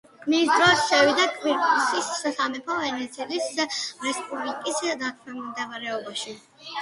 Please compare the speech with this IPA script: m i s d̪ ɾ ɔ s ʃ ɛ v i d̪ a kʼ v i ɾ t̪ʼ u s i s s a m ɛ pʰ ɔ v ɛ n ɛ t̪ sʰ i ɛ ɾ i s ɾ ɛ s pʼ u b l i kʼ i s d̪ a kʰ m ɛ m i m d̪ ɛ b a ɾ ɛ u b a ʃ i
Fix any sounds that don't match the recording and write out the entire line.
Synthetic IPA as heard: m i s d̪ ɾ ɔ s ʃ ɛ v i d̪ a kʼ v i ɾ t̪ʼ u s i s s a m ɛ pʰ ɔ v ɛ n ɛ t̪ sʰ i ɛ l i s ɾ ɛ s pʼ u b l i kʼ i s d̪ a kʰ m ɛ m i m d̪ ɛ v a ɾ ɛ ɔ b a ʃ i